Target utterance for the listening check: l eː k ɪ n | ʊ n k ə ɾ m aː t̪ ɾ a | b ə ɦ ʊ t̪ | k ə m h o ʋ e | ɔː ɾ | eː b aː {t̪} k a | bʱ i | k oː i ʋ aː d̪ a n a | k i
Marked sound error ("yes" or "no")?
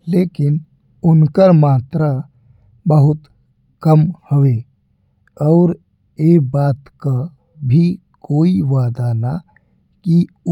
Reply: no